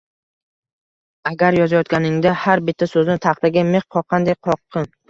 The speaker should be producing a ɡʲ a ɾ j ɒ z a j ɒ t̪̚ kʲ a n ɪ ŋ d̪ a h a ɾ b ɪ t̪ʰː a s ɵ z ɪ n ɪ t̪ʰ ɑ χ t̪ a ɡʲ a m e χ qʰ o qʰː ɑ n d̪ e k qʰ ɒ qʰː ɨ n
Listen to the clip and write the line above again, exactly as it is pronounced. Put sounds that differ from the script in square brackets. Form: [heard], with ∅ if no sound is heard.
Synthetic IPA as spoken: a ɡʲ a ɾ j ɒ z a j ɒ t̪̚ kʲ a n ɪ ŋ d̪ a h a ɾ b ɪ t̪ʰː a s ɵ z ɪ n ɪ t̪ʰ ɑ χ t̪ a ɡʲ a m e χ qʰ [ɒ] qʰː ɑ n d̪ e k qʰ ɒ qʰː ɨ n

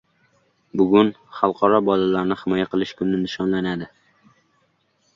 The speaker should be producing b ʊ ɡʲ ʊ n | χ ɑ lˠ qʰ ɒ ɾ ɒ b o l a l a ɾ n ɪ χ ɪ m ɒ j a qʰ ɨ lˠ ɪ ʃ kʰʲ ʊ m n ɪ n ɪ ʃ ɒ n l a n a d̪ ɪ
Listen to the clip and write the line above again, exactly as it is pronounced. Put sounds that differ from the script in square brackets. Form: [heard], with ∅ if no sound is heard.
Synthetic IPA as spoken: b ʊ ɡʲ ʊ n | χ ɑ lˠ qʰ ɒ ɾ ɒ b [ɒ] l a l a ɾ n ɪ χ ɪ m ɒ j a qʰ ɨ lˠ ɪ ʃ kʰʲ ʊ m n ɪ n ɪ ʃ ɒ n l a n a d̪ ɪ

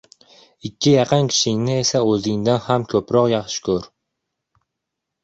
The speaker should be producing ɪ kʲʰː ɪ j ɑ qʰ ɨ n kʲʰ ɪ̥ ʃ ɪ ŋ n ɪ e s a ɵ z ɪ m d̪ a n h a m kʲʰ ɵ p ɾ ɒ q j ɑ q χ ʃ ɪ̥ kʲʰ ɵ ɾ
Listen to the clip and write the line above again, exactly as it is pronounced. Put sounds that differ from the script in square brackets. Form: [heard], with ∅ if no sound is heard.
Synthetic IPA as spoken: ɪ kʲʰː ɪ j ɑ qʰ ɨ n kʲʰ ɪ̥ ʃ ɪ ŋ n ɪ e s a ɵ z ɪ [ŋ] d̪ a n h a m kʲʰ ɵ p ɾ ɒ q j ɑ [∅] χ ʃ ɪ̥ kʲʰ ɵ ɾ

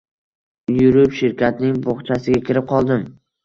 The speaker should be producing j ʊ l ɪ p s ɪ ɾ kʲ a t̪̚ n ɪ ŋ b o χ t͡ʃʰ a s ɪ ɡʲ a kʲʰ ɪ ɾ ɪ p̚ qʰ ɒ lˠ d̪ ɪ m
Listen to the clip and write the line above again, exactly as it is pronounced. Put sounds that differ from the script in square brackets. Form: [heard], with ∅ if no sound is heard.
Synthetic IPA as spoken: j ʊ [ɾ] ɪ p [ʃ] ɪ ɾ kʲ a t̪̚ n ɪ ŋ b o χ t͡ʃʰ a s ɪ ɡʲ a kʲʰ ɪ ɾ ɪ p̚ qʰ ɒ lˠ d̪ ɪ m

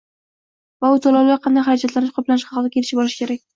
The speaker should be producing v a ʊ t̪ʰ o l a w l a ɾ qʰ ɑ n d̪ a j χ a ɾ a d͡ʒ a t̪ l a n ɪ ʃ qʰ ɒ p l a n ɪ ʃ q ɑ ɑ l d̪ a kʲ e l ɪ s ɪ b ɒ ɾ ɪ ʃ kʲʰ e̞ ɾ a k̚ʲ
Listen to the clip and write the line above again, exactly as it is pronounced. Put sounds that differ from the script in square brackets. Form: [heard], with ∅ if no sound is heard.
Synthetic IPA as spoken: v a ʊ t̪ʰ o l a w l a ɾ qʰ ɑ n d̪ a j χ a ɾ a d͡ʒ a t̪ l a n ɪ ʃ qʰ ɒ p l a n ɪ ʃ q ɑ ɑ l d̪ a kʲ e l ɪ [ʃ] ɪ b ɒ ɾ ɪ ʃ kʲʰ e̞ ɾ a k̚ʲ

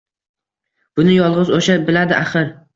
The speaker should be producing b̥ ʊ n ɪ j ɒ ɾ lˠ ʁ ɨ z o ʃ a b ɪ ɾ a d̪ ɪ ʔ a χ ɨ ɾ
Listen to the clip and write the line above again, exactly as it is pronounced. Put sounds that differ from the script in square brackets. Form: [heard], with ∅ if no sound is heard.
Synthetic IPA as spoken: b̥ ʊ n ɪ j ɒ [∅] lˠ ʁ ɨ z o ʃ a b ɪ [l] a d̪ ɪ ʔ a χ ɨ ɾ

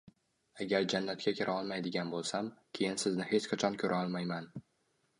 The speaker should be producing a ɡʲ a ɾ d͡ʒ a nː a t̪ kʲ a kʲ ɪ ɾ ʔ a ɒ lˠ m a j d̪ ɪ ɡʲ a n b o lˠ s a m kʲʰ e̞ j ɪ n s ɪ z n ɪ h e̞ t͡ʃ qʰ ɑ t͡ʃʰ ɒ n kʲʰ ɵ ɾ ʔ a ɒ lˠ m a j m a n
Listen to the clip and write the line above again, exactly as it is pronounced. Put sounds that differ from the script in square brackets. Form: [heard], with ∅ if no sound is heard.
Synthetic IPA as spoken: a ɡʲ a ɾ d͡ʒ a nː a t̪ kʲ a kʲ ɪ ɾ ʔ a ɒ lˠ m a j d̪ ɪ ɡʲ a n b o lˠ s a m kʲʰ e̞ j ɪ n s ɪ z n ɪ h e̞ t͡ʃ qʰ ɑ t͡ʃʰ ɒ n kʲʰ ɵ ɾ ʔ a ɒ lˠ m a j m a n

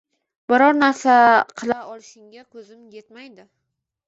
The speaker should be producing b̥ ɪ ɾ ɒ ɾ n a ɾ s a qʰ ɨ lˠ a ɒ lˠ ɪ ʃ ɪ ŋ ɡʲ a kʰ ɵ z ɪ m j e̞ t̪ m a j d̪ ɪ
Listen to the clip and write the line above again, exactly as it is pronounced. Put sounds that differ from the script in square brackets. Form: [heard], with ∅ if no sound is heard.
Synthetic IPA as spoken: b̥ ɪ ɾ ɒ ɾ n a ɾ s a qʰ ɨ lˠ a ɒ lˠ ɪ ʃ ɪ ŋ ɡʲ a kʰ ɵ z ɪ m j e̞ t̪ m a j d̪ ɪ

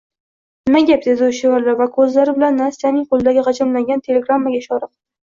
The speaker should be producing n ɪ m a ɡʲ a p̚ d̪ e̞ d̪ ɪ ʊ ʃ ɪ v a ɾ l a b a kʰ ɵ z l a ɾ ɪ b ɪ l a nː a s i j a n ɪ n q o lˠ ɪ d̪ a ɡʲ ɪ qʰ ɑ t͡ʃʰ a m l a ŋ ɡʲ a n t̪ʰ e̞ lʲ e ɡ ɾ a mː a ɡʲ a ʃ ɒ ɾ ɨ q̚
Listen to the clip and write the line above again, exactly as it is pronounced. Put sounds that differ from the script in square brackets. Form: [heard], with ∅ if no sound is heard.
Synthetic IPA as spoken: n ɪ m a ɡʲ a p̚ d̪ e̞ d̪ ɪ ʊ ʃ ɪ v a ɾ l a [v] a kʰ ɵ z l a ɾ ɪ b ɪ l a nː a s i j a n ɪ [ŋ] q o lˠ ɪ d̪ a ɡʲ ɪ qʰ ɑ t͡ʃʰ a m l a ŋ ɡʲ a n t̪ʰ e̞ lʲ e ɡ ɾ a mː a ɡʲ a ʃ ɒ ɾ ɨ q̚

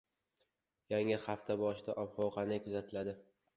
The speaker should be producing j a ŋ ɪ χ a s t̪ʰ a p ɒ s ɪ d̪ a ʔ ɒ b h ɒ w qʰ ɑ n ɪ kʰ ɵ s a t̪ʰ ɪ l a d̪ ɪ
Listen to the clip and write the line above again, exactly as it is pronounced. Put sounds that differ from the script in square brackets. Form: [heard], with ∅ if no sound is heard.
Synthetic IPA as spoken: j a ŋ ɪ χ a [f] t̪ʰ a [b] ɒ [ʃ] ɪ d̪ a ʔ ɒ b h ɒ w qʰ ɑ n ɪ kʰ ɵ [z] a t̪ʰ ɪ l a d̪ ɪ

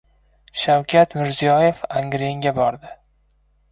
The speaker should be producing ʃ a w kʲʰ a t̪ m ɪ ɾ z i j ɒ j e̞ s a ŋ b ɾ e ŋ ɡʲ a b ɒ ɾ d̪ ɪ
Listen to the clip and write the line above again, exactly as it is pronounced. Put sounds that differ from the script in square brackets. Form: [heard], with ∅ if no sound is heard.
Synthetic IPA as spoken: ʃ a w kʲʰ a t̪ m ɪ ɾ z i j ɒ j e̞ [f] a ŋ [ɡ] ɾ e ŋ ɡʲ a b ɒ ɾ d̪ ɪ

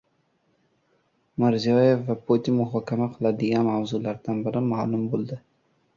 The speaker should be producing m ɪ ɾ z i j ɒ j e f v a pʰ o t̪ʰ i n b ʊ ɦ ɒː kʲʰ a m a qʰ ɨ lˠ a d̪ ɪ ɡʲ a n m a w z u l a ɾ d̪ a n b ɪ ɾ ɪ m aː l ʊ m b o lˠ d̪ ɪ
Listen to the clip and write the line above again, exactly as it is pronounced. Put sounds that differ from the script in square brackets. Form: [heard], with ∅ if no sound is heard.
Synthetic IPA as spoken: m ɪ ɾ z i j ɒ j e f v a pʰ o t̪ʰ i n [m] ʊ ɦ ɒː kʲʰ a m a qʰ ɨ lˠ a d̪ ɪ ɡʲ a n m a w z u l a ɾ d̪ a n b ɪ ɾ ɪ m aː l ʊ m b o lˠ d̪ ɪ

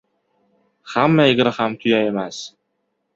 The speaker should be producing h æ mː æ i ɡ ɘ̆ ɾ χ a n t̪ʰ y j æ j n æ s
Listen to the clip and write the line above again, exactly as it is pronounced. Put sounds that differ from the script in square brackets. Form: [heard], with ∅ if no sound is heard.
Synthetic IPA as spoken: [χ] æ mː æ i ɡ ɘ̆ ɾ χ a [m] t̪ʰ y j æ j [m] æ s

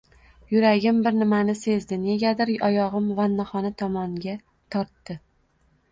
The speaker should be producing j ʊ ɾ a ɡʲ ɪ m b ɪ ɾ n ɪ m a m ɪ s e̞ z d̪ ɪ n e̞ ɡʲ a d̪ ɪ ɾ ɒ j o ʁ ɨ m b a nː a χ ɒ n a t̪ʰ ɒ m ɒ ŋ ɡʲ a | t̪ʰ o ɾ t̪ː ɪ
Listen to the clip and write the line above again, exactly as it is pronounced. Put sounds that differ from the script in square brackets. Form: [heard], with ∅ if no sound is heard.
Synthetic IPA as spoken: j ʊ ɾ a ɡʲ ɪ m b ɪ ɾ n ɪ m a [n] ɪ s e̞ z d̪ ɪ n e̞ ɡʲ a d̪ ɪ ɾ ɒ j [ɒ] ʁ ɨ m [v] a nː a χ ɒ n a t̪ʰ ɒ m ɒ ŋ ɡʲ a | t̪ʰ [ɒ] ɾ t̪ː ɪ

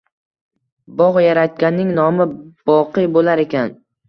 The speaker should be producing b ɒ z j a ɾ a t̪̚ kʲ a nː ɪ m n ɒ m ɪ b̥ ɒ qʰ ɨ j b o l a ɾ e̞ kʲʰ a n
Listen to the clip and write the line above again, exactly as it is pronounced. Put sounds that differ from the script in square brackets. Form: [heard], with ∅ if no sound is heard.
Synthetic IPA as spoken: b ɒ [ʁ] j a ɾ a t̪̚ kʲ a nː ɪ [ŋ] n ɒ m ɪ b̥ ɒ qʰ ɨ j b o l a ɾ e̞ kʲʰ a n

